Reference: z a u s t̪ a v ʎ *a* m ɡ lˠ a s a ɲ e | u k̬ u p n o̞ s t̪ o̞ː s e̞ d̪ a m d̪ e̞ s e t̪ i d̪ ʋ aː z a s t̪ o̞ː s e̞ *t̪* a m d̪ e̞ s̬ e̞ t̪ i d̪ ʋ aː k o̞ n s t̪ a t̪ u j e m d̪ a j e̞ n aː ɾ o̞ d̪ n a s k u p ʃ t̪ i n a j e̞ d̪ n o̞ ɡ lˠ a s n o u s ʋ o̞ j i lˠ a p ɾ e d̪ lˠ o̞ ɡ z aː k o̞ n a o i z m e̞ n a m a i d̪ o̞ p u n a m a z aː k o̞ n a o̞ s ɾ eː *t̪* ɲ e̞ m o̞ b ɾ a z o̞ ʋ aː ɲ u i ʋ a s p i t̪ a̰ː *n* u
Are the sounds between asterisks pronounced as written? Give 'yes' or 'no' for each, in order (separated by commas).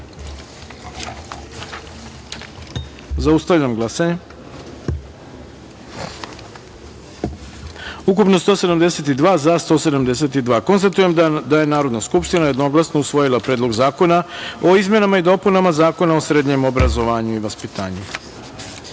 yes, no, no, no